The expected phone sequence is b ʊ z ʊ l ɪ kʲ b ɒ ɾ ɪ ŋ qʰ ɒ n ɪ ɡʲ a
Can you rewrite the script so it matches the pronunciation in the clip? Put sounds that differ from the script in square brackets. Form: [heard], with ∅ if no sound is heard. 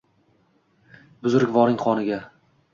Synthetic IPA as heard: b ʊ z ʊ [ɾ] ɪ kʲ [v] ɒ ɾ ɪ ŋ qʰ ɒ n ɪ ɡʲ a